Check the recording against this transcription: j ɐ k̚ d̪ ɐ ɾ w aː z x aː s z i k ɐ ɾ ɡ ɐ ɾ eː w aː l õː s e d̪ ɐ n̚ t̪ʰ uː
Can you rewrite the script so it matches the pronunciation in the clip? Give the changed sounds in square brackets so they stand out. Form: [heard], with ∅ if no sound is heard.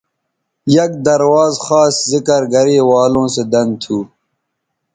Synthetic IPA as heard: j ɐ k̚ d̪ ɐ ɾ w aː z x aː s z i k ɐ ɾ ɡ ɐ ɾ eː w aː l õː s e d̪ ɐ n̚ t̪ʰ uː

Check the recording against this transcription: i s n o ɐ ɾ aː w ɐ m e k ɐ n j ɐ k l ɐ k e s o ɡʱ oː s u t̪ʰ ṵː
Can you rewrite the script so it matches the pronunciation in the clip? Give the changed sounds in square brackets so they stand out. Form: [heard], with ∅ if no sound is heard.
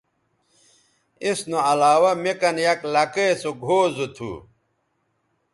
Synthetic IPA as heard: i s n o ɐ [l] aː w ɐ m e k ɐ n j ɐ k l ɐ k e s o ɡʱ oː [z] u t̪ʰ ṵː

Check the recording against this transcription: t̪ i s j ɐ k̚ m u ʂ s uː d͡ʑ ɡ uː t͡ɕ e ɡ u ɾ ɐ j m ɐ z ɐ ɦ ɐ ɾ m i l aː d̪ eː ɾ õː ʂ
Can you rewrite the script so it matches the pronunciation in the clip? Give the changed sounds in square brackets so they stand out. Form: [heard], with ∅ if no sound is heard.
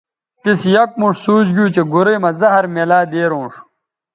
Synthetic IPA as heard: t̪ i s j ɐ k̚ m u ʂ s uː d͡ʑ ɡ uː t͡ɕ e ɡ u ɾ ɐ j m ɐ z ɐ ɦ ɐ ɾ m [e] l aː d̪ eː ɾ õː ʂ

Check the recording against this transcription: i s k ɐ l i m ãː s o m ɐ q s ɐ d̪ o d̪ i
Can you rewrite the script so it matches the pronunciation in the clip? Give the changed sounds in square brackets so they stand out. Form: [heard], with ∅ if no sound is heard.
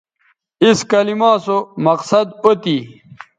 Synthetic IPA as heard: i s k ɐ l i m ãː s o m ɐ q s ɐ d̪ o [t̪] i

